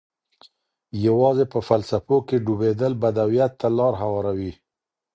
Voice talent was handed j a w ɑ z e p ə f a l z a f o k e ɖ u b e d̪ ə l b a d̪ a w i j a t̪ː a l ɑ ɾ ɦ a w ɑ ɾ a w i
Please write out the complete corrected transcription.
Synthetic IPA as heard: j a w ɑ z e p ə f a l s a f o k e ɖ u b e d̪ ə l b a d̪ a w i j a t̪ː a l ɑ ɾ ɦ a w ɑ ɾ a w i